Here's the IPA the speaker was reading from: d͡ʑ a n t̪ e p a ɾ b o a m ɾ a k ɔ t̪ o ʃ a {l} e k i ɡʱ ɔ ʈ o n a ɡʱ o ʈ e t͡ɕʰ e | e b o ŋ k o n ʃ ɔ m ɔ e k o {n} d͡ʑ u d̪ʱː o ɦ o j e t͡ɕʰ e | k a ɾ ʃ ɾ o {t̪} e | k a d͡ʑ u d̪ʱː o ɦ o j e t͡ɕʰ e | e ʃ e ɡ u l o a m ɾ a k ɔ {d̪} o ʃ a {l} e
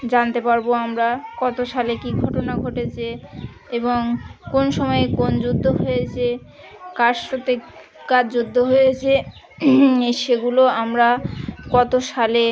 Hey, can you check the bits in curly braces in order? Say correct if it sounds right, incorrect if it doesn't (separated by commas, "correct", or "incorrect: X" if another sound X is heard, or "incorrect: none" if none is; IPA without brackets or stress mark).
correct, correct, correct, incorrect: t̪, correct